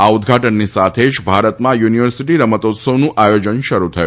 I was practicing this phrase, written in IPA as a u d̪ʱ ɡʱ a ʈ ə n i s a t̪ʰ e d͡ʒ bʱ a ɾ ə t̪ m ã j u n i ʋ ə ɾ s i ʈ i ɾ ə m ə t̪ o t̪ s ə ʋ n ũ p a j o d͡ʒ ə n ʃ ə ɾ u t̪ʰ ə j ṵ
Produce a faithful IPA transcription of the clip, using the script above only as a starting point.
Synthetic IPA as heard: a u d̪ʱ ɡʱ a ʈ ə nː i s a t̪ʰ e d͡ʒ bʱ a ɾ ə t̪ m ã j u n i ʋ ə ɾ s i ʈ i ɾ ə m ə t̪ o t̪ s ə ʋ n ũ ʔ a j o d͡ʒ ə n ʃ ə ɾ u t̪ʰ ə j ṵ